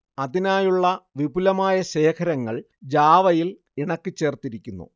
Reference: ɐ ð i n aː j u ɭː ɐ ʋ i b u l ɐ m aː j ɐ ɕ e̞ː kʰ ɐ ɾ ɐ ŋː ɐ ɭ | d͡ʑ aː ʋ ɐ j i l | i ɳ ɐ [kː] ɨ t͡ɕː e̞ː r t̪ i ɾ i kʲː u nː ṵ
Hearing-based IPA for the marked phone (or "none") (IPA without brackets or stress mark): kː